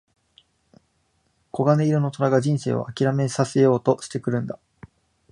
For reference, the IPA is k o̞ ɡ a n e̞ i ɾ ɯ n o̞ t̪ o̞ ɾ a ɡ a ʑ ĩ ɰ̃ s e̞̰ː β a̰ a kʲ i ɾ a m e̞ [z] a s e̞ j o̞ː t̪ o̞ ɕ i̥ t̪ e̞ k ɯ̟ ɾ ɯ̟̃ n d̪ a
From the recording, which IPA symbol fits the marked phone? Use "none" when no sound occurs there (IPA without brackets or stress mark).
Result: s